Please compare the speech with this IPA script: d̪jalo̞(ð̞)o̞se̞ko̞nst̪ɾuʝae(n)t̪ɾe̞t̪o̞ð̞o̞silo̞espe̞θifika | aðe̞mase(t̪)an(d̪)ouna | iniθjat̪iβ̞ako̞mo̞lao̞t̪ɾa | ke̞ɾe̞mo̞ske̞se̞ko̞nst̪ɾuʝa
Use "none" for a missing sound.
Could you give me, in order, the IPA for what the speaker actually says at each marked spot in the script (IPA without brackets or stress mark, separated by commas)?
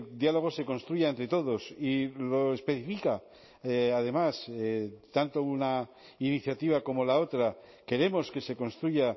ɣ̞, n, t̪, t̪